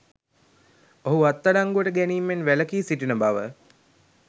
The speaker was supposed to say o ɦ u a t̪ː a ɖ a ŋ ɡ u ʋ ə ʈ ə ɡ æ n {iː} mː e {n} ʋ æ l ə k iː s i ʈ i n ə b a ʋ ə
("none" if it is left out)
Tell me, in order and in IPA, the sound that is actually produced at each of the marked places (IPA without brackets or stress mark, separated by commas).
iː, n